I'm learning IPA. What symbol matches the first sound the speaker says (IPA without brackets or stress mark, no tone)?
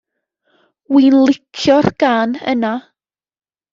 w